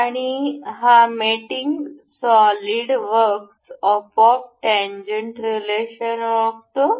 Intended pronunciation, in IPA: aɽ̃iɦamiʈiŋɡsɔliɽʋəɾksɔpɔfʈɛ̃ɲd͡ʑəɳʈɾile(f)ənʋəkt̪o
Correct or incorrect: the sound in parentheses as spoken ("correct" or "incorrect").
incorrect